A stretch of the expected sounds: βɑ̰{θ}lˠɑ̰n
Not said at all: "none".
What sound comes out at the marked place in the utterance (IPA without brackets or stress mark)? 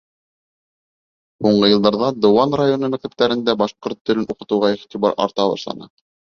ʃ